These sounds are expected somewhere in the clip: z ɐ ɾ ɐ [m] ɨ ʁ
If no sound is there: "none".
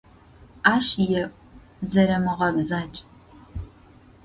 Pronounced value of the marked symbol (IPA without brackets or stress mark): m